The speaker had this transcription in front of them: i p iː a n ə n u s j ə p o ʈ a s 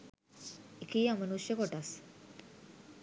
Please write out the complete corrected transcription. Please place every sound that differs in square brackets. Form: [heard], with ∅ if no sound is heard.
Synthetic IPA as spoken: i [k] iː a [m] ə n u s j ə [k] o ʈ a s